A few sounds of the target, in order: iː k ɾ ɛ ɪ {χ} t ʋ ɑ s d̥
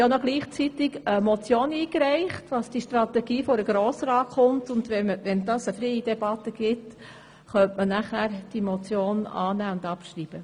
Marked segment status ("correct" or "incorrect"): correct